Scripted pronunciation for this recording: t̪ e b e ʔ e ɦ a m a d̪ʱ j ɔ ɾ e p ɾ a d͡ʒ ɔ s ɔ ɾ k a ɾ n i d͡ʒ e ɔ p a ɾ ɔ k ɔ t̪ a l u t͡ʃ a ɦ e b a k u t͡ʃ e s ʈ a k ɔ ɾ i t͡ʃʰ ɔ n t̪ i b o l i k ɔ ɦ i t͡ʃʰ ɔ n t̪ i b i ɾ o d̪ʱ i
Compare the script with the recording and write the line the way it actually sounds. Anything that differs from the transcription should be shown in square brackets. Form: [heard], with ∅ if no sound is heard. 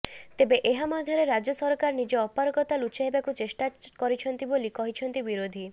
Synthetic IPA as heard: t̪ e b e ʔ e ɦ a m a d̪ʱ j ɔ ɾ e [∅] ɾ a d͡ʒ ɔ s ɔ ɾ k a ɾ n i d͡ʒ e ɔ p a ɾ ɔ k ɔ t̪ a l u t͡ʃ a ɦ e b a k u t͡ʃ e s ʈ a k ɔ ɾ i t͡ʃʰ ɔ n t̪ i b o l i k ɔ ɦ i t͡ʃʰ ɔ n t̪ i b i ɾ o d̪ʱ i

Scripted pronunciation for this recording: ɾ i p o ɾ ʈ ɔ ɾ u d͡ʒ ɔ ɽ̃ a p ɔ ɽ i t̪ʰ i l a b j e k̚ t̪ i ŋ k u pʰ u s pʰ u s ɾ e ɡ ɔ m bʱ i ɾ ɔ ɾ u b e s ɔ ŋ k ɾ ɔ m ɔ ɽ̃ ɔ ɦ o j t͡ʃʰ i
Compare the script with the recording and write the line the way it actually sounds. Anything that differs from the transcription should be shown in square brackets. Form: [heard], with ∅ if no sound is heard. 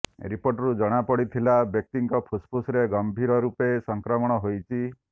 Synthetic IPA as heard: ɾ i p o ɾ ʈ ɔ ɾ u d͡ʒ ɔ ɽ̃ a p ɔ ɽ i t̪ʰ i l a b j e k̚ t̪ i ŋ k [ɔ] pʰ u s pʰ u s ɾ e ɡ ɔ m bʱ i ɾ ɔ ɾ u [p] e s ɔ ŋ k ɾ ɔ m ɔ ɽ̃ ɔ ɦ o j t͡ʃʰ i

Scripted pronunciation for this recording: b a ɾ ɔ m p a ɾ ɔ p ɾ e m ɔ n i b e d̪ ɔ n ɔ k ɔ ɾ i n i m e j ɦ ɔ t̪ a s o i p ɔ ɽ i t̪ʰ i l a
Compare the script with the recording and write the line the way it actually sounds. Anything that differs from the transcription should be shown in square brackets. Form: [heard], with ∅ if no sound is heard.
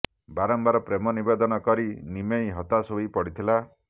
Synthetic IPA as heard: b a ɾ ɔ m [b] a ɾ ɔ p ɾ e m ɔ n i b e d̪ ɔ n ɔ k ɔ ɾ i n i m e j ɦ ɔ t̪ a s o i p ɔ ɽ i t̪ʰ i l a

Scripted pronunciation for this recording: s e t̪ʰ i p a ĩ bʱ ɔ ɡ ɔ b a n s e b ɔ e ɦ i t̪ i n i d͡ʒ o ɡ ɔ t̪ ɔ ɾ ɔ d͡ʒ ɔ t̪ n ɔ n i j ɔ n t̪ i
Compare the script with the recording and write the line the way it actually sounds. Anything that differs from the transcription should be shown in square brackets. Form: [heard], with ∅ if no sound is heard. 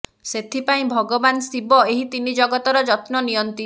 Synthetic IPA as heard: s e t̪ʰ i p a ĩ bʱ ɔ ɡ ɔ b a n s [i] b ɔ e ɦ i t̪ i n i d͡ʒ [ɔ] ɡ ɔ t̪ ɔ ɾ ɔ d͡ʒ ɔ t̪ n ɔ n i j ɔ n t̪ i

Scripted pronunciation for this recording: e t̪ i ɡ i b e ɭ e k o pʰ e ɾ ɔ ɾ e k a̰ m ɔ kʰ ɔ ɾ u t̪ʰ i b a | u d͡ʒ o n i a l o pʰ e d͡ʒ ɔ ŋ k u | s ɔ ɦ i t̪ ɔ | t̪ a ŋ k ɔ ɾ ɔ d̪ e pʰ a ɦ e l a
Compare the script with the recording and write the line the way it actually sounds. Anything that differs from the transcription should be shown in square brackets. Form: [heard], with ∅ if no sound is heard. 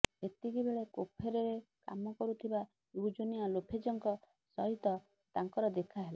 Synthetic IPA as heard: e t̪ i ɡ i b e ɭ e k o pʰ e ɾ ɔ ɾ e k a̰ m ɔ [k] ɔ ɾ u t̪ʰ i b a | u d͡ʒ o n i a l o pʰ e d͡ʒ ɔ ŋ k [ɔ] | s ɔ ɦ i t̪ ɔ | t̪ a ŋ k ɔ ɾ ɔ d̪ e [kʰ] a ɦ e l a

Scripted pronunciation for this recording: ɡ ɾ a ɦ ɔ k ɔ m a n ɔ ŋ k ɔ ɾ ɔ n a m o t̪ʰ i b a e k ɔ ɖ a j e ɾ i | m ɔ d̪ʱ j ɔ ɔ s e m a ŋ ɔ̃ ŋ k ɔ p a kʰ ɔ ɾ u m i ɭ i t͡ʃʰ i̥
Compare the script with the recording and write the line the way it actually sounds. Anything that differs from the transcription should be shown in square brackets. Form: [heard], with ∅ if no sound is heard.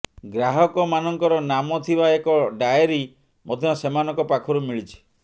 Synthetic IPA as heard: ɡ ɾ a ɦ ɔ k ɔ m a n ɔ ŋ k ɔ ɾ ɔ n a m [ɔ] t̪ʰ i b a e k ɔ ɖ a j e ɾ i | m ɔ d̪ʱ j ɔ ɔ s e m a [n] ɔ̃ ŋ k ɔ p a kʰ ɔ ɾ u m i ɭ i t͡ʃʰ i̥

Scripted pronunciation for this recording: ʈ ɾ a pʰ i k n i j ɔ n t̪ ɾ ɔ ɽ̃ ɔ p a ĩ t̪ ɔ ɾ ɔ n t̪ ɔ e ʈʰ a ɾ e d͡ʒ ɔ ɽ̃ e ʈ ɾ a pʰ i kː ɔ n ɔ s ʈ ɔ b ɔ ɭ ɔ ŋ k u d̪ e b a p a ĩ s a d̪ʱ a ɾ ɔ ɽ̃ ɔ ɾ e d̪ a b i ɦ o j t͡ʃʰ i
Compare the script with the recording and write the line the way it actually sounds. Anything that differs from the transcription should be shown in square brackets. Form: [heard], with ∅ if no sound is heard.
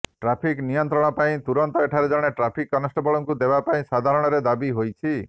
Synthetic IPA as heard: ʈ ɾ a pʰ i k n i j ɔ n t̪ ɾ ɔ ɽ̃ ɔ p a ĩ t̪ [u] ɾ ɔ n t̪ ɔ e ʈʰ a ɾ e d͡ʒ ɔ ɽ̃ e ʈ ɾ a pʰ i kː ɔ n ɔ s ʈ ɔ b ɔ ɭ ɔ ŋ k u d̪ e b a p a ĩ s a d̪ʱ a ɾ ɔ ɽ̃ ɔ ɾ e d̪ a b i ɦ o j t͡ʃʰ i

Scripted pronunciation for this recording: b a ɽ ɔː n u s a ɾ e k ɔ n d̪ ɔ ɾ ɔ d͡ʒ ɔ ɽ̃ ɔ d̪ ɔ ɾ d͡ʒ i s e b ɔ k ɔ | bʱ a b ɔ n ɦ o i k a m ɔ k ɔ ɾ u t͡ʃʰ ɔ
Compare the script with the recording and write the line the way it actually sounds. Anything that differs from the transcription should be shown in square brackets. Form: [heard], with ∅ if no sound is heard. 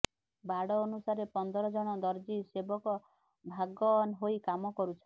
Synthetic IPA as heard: b a ɽ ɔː n u s a ɾ e [p] ɔ n d̪ ɔ ɾ ɔ d͡ʒ ɔ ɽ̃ ɔ d̪ ɔ ɾ d͡ʒ i s e b ɔ k ɔ | bʱ a [ɡ] ɔ n ɦ o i k a m ɔ k ɔ ɾ u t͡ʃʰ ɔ

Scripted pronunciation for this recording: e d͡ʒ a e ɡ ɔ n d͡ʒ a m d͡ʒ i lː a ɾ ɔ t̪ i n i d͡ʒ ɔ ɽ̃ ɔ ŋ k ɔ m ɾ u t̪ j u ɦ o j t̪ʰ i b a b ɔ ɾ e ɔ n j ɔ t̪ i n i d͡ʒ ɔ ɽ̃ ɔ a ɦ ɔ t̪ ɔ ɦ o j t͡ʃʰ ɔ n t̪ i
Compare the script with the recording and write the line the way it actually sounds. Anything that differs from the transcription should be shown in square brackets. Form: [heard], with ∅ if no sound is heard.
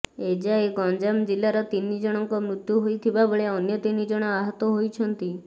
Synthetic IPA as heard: e d͡ʒ a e ɡ ɔ n d͡ʒ a m d͡ʒ i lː a ɾ ɔ t̪ i n i d͡ʒ ɔ ɽ̃ ɔ ŋ k ɔ m ɾ u t̪ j u ɦ o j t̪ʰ i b a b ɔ [ɭ] e ɔ n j ɔ t̪ i n i d͡ʒ ɔ ɽ̃ ɔ a ɦ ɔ t̪ ɔ ɦ o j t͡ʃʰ ɔ n t̪ i

